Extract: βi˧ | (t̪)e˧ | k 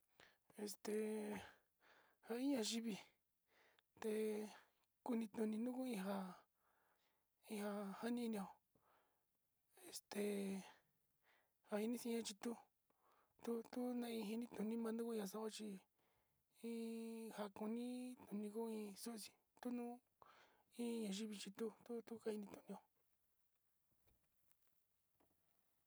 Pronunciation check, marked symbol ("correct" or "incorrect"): correct